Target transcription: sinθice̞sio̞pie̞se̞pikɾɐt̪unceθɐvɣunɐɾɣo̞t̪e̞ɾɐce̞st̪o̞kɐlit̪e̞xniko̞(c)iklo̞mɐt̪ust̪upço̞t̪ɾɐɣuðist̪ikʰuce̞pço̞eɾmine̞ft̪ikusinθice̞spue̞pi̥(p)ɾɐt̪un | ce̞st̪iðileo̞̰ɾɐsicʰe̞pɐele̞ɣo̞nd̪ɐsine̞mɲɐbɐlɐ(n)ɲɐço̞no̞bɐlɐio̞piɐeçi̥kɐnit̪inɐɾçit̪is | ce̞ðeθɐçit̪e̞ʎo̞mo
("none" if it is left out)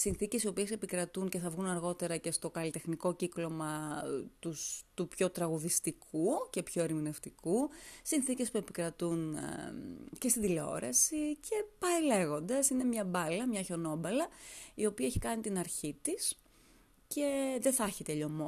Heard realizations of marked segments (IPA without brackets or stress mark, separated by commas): c, k, m